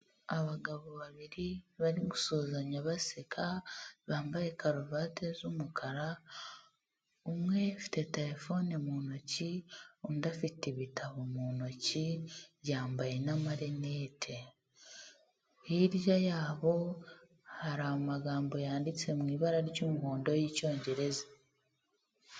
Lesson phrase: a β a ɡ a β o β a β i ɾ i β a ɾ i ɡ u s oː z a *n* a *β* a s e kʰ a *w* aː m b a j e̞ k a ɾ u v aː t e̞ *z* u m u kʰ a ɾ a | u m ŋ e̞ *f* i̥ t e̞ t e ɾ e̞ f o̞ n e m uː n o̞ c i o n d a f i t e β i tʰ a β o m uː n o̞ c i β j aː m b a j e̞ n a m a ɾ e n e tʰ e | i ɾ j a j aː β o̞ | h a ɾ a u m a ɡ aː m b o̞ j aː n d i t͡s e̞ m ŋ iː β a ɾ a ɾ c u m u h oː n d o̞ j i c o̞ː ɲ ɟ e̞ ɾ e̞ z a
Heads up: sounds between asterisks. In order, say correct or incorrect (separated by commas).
incorrect, correct, incorrect, correct, correct